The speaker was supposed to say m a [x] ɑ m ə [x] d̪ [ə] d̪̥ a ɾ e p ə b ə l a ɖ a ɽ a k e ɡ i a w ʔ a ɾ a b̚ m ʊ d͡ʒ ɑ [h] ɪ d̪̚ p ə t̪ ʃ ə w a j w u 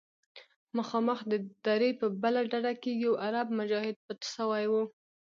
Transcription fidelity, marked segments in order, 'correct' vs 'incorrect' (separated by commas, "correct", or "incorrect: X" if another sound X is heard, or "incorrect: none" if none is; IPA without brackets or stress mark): correct, correct, correct, correct